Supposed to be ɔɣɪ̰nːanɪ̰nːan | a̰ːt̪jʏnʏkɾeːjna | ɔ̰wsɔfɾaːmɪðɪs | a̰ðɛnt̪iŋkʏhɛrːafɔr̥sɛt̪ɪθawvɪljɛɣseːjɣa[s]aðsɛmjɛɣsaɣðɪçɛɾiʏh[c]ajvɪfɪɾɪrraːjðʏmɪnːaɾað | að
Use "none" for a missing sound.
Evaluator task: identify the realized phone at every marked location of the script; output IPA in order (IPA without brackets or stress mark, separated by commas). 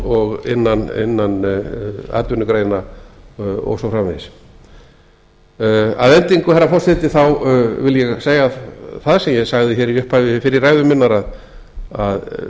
θ, p